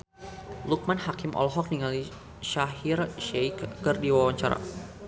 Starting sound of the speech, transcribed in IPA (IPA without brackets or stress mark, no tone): l